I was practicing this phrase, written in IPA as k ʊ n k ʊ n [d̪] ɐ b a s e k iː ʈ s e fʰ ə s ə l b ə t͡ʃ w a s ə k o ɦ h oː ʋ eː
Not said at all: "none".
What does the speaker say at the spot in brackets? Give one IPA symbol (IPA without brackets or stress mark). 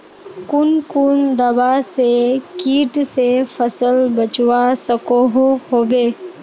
d̪